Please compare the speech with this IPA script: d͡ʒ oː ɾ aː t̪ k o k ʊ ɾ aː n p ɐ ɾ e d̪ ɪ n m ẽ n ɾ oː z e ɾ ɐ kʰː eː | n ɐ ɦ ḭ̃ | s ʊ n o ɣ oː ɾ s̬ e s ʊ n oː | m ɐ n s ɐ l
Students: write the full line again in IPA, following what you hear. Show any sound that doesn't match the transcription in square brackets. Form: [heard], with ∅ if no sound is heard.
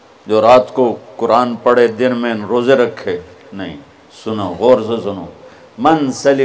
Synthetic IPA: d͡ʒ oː ɾ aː t̪ k o k ʊ ɾ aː n p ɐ [ɽ] e d̪ ɪ n m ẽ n ɾ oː z e ɾ ɐ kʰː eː | n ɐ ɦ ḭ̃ | s ʊ n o ɣ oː ɾ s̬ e s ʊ n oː | m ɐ n s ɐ l